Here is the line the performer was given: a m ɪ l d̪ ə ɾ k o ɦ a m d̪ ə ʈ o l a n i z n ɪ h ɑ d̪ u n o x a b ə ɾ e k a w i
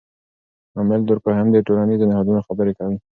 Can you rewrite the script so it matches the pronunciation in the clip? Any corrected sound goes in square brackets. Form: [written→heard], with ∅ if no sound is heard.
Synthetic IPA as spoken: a m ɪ l d̪ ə ɾ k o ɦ a m d̪ ə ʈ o l a n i z n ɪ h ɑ d̪ u n o x a b ə ɾ e k a w i

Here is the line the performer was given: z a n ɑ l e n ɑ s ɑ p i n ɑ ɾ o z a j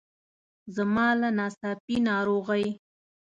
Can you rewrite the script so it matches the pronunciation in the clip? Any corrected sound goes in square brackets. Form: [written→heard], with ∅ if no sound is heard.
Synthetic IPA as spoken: z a [n→m] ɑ l [e→a] n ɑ s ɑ p i n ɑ ɾ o [z→ɣ] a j

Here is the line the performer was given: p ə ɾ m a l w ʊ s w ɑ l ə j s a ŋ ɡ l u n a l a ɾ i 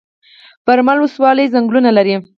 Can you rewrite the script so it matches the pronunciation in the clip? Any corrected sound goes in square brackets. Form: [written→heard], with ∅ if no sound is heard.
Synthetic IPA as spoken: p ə ɾ m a l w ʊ s w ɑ l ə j [s→z] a ŋ ɡ l u n a l a ɾ i

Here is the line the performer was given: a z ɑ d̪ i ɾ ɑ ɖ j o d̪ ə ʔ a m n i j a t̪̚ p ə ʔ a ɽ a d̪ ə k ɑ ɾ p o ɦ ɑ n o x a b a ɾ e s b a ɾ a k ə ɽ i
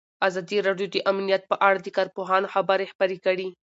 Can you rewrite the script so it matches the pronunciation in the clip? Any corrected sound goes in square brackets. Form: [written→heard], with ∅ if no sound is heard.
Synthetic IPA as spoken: a z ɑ d̪ i ɾ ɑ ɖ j o d̪ ə ʔ a m n i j a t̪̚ p ə ʔ a ɽ a d̪ ə k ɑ ɾ p o ɦ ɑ n o x a b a ɾ e [s→x] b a ɾ [a→e] k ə ɽ i

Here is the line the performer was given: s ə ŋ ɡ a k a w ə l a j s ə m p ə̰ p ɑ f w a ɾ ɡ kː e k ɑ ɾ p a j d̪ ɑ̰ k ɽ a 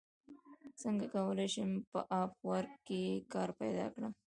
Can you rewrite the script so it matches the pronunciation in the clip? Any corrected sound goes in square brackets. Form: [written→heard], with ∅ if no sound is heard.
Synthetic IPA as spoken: s ə ŋ ɡ a k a w ə l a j [s→ʃ] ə m p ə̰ [p→ʔ] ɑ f w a ɾ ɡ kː e k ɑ ɾ p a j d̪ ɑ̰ k ɽ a

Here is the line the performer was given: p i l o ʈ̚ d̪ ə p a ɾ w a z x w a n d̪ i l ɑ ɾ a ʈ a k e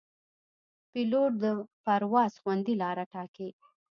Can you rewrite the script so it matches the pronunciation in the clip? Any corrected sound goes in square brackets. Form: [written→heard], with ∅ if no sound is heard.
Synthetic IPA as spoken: p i l o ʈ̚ d̪ ə p a ɾ w [a→ɑ] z x w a n d̪ i l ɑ ɾ a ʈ [a→ɑ] k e

